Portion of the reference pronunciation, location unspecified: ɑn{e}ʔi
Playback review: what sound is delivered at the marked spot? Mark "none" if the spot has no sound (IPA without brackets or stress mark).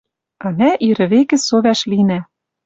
æ